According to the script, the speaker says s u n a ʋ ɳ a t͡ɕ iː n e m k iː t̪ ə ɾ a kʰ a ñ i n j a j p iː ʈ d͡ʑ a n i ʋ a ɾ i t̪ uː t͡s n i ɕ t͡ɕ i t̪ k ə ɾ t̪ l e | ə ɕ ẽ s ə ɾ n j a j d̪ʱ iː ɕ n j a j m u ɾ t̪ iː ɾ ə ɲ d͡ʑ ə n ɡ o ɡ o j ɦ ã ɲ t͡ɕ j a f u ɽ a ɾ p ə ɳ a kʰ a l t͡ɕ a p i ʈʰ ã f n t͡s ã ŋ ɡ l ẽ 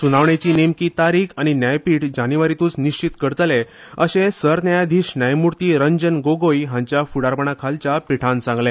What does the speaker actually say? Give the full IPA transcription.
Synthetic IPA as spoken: s u n a ʋ ɳ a t͡ɕ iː n e m k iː t̪ a ɾ i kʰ a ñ i n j a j p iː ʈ d͡ʑ a n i ʋ a ɾ i t̪ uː t͡s n i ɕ t͡ɕ i t̪ k ə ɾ t̪ l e | ə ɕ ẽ s ə ɾ n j a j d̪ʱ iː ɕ n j a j m u ɾ t̪ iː ɾ ə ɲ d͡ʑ ə n ɡ o ɡ o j ɦ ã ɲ t͡ɕ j a f u ɽ a ɾ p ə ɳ a kʰ a l t͡ɕ a p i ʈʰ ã n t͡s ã ŋ ɡ l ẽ